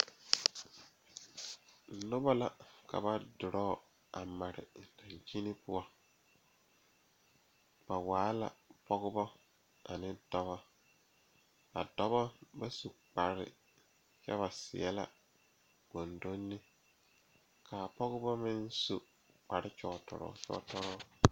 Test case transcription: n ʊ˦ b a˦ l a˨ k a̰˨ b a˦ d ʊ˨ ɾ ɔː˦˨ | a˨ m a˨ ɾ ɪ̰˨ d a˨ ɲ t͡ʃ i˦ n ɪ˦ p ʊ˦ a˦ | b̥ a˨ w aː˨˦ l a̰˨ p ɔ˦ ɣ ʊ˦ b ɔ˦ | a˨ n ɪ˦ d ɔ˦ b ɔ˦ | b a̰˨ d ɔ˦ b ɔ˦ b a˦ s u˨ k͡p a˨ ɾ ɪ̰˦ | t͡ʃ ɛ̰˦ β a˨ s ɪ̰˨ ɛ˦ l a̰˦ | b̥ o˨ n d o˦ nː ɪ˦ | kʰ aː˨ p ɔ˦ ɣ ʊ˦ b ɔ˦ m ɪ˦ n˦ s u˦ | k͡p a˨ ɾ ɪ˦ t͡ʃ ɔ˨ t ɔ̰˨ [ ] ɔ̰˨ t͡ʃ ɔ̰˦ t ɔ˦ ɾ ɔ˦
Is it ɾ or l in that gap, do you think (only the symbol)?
ɾ